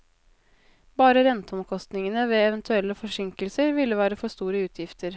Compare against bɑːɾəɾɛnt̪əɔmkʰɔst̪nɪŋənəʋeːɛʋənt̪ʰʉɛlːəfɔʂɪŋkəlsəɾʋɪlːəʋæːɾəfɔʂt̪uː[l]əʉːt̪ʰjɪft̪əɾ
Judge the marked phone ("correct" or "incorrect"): incorrect